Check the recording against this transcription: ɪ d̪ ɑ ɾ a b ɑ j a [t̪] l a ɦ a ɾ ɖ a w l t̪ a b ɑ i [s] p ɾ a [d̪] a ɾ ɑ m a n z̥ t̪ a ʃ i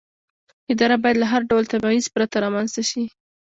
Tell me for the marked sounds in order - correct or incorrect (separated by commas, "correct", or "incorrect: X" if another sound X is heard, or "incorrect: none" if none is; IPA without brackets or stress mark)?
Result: incorrect: d̪, incorrect: z, incorrect: t̪